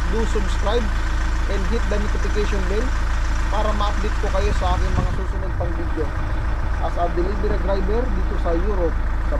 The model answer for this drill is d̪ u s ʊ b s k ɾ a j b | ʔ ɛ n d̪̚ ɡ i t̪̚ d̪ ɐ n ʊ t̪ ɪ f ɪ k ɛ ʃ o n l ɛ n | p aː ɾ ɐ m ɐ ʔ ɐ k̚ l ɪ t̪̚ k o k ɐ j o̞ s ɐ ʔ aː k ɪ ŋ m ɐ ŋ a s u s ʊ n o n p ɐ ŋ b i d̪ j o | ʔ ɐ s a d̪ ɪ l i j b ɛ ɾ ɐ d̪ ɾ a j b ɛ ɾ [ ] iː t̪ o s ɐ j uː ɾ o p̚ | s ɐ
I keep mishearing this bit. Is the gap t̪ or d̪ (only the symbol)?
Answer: d̪